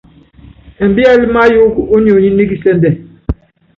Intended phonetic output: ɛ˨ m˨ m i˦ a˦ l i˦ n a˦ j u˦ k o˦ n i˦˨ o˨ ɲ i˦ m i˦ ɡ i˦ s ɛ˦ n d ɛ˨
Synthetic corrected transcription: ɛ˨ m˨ b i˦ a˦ l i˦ m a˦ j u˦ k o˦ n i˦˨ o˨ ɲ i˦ n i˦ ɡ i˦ s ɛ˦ n d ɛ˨